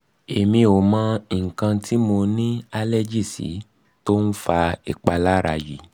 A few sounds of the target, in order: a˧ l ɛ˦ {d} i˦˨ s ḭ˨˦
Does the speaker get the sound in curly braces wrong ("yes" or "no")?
yes